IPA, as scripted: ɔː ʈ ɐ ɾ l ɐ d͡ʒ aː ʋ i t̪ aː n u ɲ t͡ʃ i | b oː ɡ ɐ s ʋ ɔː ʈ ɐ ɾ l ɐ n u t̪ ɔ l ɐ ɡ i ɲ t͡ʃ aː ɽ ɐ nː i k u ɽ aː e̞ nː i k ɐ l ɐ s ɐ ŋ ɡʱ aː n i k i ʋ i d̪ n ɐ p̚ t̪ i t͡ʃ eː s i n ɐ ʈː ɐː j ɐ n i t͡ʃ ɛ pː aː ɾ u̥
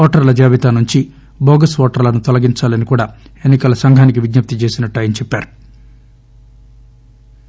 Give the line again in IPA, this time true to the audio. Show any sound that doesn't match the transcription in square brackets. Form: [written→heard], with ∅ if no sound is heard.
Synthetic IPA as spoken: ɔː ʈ ɐ ɾ l ɐ d͡ʒ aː ʋ i t̪ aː n u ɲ t͡ʃ i | b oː ɡ ɐ s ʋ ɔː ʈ ɐ ɾ l ɐ n u t̪ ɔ l ɐ ɡ i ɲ t͡ʃ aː [ɽ→l] ɐ [nː→n] i k [u→uː] ɽ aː e̞ nː i k ɐ l ɐ s ɐ ŋ ɡʱ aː n i k i ʋ i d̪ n ɐ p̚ t̪ i t͡ʃ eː s i n ɐ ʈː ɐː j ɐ n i t͡ʃ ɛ pː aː ɾ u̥